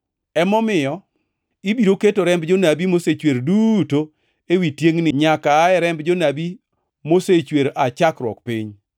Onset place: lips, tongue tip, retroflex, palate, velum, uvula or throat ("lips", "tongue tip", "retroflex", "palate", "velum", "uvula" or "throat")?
lips